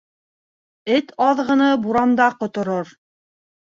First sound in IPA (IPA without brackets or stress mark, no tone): ɘ